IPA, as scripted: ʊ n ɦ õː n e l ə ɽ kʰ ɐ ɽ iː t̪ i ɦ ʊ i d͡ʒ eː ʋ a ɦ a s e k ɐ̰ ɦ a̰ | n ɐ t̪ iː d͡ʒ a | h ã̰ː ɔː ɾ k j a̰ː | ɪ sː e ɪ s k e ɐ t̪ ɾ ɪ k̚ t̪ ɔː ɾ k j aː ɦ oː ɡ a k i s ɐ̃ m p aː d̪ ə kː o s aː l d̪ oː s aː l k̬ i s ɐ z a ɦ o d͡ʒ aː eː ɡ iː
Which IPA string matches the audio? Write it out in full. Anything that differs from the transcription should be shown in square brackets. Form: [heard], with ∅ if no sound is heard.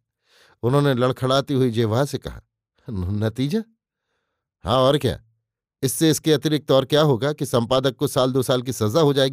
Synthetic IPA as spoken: ʊ n ɦ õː n e l [ɐ] ɽ kʰ ɐ ɽ [aː] t̪ i ɦ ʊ i d͡ʒ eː ʋ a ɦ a s e k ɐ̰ ɦ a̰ | n ɐ t̪ iː d͡ʒ a | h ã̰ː ɔː ɾ k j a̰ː | ɪ sː e ɪ s k e ɐ t̪ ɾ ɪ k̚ t̪ ɔː ɾ k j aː ɦ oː ɡ a k i s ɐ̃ m p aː d̪ ə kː o s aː l d̪ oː s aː l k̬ i s ɐ z a ɦ o d͡ʒ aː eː ɡ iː